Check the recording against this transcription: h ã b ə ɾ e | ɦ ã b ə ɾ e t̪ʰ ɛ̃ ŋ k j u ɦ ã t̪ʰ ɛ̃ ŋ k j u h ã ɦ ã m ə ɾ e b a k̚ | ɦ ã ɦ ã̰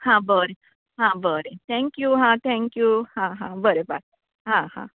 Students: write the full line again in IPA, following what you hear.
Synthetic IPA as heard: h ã b ə ɾ e | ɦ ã b ə ɾ e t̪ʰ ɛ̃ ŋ k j u ɦ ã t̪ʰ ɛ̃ ŋ k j u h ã ɦ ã b ə ɾ e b a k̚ | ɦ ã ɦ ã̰